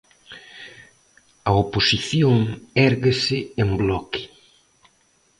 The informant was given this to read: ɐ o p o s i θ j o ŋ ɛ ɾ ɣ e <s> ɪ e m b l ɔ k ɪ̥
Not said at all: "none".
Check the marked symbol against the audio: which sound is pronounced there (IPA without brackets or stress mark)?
s